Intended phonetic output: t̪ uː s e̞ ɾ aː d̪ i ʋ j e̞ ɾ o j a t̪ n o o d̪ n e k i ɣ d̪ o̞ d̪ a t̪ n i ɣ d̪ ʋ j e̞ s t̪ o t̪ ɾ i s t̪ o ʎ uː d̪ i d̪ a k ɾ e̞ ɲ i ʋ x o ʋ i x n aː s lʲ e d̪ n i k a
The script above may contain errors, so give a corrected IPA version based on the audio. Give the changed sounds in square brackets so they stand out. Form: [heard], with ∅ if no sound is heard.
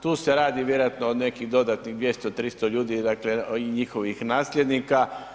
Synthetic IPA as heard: t̪ uː s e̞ ɾ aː d̪ i ʋ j e̞ ɾ o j a t̪ n o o d̪ n e k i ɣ d̪ o̞ d̪ a t̪ n i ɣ d̪ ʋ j e̞ s t̪ o t̪ ɾ i s t̪ o ʎ uː d̪ i d̪ a k [l] e̞ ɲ i [∅] x o ʋ i x n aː s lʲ e d̪ n i k a